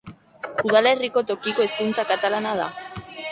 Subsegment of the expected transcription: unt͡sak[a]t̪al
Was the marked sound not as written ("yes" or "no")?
no